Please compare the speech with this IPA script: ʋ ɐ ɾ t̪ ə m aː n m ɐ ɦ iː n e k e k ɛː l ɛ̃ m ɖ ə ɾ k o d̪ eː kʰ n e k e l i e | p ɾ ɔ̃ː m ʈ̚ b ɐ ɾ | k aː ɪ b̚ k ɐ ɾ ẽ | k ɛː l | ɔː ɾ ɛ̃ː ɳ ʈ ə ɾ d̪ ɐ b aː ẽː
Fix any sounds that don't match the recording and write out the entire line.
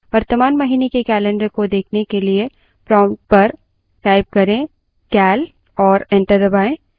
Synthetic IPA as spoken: ʋ ɐ ɾ t̪ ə m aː n m ɐ ɦ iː n e k e k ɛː l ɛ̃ ɳ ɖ ə ɾ k o d̪ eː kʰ n e k e l i e | p ɾ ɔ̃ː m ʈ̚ p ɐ ɾ | k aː ɪ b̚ k ɐ ɾ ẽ | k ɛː l | ɔː ɾ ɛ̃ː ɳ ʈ ə ɾ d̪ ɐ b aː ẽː